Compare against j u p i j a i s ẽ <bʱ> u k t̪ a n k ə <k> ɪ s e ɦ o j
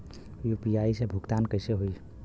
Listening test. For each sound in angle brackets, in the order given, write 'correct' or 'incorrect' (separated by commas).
correct, incorrect